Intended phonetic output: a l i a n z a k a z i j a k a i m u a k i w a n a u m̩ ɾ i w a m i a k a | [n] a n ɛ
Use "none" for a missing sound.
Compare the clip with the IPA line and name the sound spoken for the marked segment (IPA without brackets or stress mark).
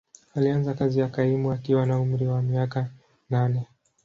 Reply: n